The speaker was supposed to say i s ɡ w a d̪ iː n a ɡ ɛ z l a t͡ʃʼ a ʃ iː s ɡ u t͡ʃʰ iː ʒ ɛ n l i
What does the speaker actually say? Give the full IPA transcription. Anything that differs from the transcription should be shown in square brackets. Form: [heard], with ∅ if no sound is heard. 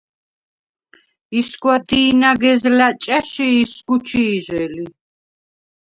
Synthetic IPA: i s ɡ w a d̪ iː n a ɡ ɛ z l a t͡ʃʼ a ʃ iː s ɡ u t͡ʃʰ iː ʒ ɛ [∅] l i